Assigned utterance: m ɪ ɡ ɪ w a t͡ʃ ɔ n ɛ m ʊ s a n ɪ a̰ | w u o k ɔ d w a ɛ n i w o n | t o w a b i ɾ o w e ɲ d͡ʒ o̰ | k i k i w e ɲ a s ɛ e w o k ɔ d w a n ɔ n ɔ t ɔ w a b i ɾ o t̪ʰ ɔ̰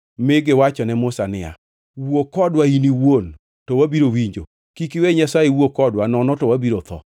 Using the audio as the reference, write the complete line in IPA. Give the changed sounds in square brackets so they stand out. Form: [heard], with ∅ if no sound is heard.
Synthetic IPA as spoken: m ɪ ɡ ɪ w a t͡ʃ ɔ n ɛ m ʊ s a n ɪ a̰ | w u o k ɔ d w a [i] n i w o n | t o w a b i ɾ o w [i] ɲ d͡ʒ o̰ | k i k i w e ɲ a s [a] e w o k ɔ d w a n ɔ n ɔ t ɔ w a b i ɾ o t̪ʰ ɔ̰